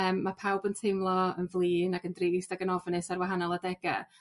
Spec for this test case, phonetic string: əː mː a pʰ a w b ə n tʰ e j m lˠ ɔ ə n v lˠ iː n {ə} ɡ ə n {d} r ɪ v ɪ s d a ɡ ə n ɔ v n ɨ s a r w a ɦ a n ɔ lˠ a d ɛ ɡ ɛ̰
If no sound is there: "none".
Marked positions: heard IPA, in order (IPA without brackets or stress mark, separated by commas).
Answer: a, d